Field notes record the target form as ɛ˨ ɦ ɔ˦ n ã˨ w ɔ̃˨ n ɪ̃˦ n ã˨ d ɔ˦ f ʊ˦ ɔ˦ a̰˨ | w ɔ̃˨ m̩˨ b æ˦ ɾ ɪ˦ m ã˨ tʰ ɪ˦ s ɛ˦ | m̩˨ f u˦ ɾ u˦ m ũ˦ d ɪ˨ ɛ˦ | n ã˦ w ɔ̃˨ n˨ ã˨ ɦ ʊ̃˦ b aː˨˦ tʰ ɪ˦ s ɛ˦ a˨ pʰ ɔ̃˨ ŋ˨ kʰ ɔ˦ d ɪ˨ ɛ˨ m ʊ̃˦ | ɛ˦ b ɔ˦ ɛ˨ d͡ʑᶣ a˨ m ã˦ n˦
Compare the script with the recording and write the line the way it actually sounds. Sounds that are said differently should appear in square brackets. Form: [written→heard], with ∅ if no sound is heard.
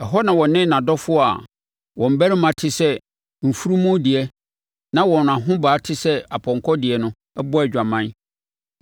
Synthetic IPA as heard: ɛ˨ ɦ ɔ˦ n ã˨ w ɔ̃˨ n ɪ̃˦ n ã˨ d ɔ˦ f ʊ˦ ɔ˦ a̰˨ | w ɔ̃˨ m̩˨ b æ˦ ɾ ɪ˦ m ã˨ tʰ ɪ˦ s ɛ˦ | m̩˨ f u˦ ɾ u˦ m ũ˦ d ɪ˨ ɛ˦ | n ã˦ w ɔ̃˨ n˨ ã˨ ɦ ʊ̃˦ b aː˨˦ tʰ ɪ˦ s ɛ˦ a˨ pʰ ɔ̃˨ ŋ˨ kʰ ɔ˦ d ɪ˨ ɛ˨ [m→n] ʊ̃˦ | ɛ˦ b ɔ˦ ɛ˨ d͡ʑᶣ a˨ m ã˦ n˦